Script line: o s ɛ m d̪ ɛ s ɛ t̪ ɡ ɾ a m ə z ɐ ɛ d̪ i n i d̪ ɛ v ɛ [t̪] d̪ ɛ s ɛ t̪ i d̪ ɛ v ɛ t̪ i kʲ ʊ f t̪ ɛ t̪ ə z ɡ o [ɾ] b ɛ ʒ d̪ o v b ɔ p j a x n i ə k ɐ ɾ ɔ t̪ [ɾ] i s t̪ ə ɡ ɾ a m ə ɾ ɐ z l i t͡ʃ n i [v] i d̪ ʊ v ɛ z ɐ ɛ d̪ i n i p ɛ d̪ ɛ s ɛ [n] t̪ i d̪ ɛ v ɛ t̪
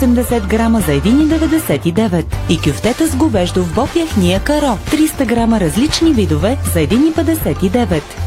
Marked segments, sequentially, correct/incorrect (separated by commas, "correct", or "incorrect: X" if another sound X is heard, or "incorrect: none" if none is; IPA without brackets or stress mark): incorrect: none, incorrect: none, correct, correct, incorrect: none